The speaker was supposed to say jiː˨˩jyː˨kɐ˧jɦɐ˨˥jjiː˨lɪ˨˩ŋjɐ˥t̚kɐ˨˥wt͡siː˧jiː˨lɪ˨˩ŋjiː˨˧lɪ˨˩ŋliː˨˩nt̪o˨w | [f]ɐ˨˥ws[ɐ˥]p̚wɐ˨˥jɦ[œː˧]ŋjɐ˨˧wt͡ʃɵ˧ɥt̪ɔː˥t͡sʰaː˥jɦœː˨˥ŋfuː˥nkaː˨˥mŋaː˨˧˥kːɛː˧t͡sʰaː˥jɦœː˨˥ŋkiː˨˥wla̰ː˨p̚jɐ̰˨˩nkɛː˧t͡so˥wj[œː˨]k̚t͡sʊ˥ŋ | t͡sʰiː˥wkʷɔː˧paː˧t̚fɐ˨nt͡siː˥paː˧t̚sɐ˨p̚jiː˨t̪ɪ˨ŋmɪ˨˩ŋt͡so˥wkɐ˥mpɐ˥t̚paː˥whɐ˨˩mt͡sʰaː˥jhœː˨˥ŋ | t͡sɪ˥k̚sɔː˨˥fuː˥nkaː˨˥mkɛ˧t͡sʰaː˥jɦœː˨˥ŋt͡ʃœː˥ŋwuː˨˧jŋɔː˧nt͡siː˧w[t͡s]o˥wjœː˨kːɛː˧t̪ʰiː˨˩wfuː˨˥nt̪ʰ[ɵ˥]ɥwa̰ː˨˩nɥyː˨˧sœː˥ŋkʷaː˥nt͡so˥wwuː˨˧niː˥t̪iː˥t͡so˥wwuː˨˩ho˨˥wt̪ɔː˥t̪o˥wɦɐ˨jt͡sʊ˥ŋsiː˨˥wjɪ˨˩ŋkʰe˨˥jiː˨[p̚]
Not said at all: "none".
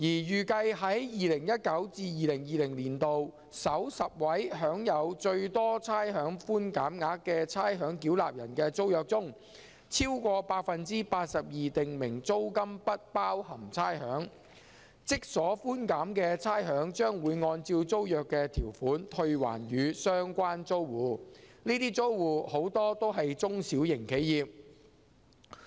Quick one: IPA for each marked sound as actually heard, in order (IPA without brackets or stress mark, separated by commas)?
s, ɐ˨, œː˨˥, œː˨, t͡s, ɵ˧, p̚